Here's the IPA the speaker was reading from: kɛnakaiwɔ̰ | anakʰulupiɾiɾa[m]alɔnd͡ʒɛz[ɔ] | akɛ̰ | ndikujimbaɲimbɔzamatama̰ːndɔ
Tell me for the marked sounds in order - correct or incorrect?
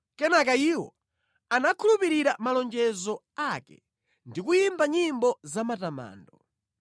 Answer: correct, correct

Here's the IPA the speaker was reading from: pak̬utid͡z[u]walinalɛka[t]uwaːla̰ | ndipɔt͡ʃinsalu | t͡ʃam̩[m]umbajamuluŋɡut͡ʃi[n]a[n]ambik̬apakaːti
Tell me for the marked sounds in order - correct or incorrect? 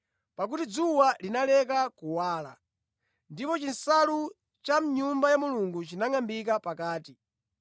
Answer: correct, incorrect: k, incorrect: ɲ, correct, incorrect: ŋ

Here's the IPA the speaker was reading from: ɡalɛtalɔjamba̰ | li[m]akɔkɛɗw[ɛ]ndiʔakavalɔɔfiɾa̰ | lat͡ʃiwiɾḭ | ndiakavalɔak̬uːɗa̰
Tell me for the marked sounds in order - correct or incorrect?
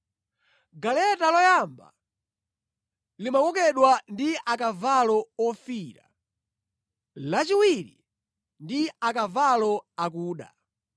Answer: correct, incorrect: a

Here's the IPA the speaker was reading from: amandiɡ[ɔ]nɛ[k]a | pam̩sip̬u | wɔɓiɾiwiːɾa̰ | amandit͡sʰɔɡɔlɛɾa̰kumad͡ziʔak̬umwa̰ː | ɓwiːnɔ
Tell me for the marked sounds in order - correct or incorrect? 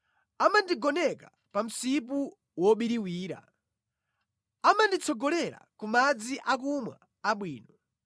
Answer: correct, correct

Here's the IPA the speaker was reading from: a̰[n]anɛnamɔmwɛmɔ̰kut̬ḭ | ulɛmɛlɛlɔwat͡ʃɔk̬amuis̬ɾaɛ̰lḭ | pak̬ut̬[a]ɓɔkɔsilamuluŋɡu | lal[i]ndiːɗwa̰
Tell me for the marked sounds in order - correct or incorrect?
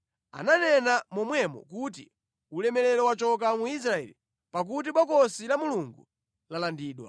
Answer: correct, incorrect: i, incorrect: a

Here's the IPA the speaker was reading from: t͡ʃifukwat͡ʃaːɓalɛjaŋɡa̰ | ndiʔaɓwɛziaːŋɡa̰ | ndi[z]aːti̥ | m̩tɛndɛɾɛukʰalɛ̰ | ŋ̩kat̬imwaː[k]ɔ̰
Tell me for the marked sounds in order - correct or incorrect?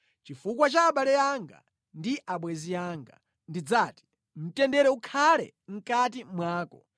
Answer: incorrect: d͡z, correct

